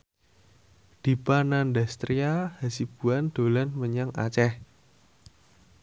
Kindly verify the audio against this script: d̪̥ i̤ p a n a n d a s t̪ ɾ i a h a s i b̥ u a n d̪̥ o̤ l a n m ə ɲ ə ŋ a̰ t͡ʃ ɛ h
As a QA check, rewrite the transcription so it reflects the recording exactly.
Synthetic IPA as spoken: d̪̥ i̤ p a n a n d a s t̪ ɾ i a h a s i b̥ u a n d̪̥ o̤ l a n m ə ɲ a ŋ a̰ t͡ʃ ɛ h